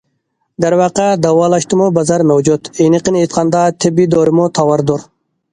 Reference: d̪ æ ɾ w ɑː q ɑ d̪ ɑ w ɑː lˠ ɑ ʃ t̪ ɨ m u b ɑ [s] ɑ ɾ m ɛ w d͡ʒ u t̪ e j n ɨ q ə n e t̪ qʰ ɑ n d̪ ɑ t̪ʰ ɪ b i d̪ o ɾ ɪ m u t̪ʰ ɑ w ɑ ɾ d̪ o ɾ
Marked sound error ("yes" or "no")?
yes